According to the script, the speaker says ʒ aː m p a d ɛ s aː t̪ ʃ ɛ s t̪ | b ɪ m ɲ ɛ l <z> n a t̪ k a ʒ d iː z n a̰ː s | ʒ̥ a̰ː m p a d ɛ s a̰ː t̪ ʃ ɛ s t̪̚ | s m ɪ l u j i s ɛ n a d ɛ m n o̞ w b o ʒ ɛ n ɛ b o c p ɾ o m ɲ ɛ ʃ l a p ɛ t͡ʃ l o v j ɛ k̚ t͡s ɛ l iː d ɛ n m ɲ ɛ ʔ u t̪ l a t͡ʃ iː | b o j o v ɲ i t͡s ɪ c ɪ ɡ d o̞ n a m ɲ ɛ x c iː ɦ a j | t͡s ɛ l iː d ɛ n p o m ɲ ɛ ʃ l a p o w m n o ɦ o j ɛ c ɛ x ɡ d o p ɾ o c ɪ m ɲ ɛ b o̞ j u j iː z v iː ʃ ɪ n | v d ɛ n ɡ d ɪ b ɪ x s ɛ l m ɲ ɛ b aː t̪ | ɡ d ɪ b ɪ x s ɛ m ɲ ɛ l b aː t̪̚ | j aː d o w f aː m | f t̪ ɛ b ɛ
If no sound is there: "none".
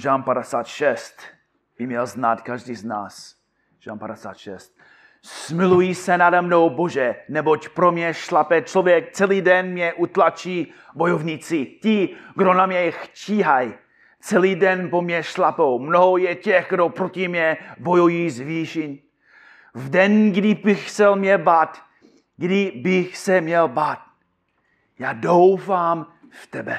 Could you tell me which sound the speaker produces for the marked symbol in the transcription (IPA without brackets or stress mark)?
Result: z